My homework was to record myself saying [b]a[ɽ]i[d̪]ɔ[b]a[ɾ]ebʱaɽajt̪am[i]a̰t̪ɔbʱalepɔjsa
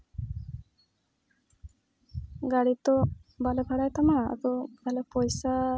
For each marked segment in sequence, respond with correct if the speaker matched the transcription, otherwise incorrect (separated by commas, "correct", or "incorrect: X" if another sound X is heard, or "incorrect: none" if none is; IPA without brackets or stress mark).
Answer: incorrect: ɡ, correct, incorrect: t̪, correct, incorrect: l, incorrect: a